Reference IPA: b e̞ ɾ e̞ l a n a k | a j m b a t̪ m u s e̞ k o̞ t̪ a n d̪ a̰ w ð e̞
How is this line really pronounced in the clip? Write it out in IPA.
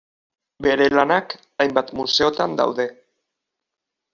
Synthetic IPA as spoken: b e̞ ɾ e̞ l a n a k | a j m b a t̪ m u s e̞ o̞ t̪ a n d̪ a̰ w ð e̞